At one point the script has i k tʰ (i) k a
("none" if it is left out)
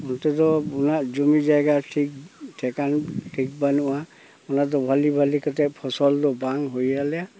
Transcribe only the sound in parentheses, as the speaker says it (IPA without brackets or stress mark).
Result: ɛ